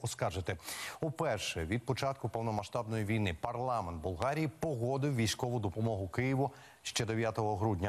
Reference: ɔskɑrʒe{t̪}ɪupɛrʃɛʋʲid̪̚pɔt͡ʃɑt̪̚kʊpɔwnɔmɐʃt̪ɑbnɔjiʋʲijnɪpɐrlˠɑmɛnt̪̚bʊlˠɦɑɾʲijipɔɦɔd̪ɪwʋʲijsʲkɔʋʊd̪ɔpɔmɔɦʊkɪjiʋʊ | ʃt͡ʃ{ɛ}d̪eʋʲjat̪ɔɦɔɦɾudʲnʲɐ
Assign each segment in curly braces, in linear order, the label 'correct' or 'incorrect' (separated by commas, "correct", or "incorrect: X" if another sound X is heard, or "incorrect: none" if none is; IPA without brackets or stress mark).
correct, correct